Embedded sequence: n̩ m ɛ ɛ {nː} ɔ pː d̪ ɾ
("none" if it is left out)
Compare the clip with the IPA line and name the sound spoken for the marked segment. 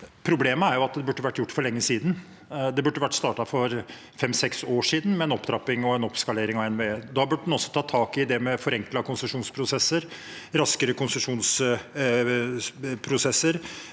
n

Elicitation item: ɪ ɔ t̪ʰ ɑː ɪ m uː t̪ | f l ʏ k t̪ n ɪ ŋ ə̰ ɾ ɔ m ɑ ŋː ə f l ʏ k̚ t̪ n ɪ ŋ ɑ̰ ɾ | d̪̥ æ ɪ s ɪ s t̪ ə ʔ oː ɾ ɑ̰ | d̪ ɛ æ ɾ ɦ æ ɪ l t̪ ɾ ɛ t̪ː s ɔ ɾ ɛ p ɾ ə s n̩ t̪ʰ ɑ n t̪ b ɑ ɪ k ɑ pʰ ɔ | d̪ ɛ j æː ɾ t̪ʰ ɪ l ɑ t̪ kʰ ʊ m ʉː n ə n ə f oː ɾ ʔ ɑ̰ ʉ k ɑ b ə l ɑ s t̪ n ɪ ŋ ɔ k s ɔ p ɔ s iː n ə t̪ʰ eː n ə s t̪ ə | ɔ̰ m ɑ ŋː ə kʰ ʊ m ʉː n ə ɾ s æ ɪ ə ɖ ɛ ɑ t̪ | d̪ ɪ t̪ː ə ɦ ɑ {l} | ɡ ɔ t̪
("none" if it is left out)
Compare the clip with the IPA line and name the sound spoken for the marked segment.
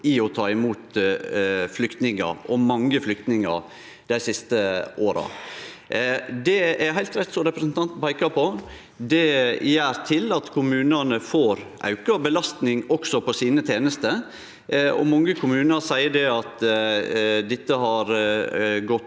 ɾ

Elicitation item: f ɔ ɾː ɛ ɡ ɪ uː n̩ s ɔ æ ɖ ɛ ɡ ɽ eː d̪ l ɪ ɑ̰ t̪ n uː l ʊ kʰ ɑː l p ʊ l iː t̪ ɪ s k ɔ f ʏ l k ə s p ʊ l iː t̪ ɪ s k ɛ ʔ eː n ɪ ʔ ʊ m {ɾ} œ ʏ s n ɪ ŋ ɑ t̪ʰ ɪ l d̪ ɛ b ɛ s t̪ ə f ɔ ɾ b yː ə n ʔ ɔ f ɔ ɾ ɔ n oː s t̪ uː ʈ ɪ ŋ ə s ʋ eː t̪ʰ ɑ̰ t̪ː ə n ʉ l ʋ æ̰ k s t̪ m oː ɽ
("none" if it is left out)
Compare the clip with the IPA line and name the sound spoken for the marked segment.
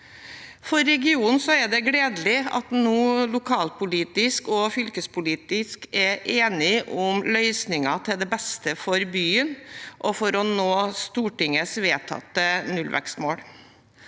l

